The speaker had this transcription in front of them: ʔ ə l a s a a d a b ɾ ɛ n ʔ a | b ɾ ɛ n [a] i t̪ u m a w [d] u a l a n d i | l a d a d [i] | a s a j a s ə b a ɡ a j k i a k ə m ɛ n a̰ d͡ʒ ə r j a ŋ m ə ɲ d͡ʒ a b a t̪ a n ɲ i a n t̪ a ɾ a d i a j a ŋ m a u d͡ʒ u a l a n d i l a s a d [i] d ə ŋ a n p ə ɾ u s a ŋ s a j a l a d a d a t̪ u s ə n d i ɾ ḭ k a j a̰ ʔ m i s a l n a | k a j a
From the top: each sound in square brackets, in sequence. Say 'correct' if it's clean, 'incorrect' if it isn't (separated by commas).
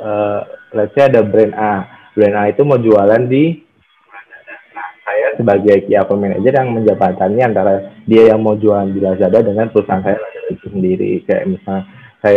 correct, incorrect, incorrect, incorrect